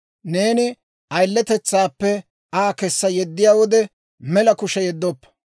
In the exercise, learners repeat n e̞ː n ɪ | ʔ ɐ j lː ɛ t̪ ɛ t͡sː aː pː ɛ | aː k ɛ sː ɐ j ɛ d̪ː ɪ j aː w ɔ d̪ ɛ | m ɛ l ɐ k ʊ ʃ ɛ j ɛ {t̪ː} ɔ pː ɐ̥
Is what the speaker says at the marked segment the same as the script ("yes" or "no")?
no